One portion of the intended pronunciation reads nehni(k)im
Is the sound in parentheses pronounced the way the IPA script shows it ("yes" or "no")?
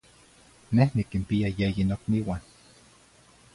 yes